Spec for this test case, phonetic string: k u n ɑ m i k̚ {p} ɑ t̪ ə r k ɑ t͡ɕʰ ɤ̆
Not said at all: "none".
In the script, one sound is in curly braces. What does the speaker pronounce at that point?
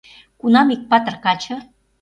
p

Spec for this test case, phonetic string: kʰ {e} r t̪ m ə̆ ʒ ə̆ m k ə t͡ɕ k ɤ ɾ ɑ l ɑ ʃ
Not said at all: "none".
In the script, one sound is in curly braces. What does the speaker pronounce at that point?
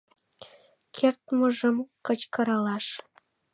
e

